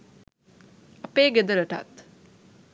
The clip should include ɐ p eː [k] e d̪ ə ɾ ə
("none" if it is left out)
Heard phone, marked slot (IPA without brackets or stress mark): ɡ